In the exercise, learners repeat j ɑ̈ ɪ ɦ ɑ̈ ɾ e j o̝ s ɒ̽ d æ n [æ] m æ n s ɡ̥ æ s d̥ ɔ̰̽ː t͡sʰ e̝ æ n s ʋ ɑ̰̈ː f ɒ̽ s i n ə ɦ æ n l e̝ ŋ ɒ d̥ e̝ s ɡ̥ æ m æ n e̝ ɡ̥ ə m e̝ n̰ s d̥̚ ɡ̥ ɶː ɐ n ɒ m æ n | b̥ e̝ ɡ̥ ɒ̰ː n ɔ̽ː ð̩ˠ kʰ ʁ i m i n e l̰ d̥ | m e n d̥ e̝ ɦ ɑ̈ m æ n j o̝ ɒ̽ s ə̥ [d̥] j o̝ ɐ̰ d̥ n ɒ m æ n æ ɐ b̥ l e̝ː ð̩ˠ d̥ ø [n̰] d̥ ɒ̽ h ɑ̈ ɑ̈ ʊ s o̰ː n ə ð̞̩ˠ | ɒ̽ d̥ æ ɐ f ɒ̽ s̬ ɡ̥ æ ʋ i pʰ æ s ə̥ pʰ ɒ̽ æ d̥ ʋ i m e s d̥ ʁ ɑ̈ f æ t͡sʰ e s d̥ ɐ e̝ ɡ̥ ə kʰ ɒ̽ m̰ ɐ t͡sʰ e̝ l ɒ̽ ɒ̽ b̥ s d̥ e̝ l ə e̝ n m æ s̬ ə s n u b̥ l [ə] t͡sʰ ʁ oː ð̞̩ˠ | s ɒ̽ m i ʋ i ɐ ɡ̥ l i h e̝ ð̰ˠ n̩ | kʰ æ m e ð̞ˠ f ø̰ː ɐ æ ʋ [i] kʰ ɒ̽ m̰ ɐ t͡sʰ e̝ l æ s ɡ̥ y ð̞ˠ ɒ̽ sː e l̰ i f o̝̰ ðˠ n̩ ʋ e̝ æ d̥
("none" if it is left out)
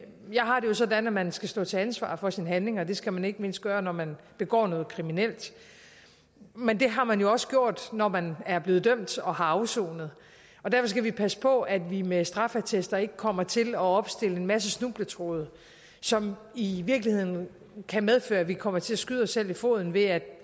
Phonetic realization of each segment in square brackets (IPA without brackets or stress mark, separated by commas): æ, ɡ̥, m̰, ə, i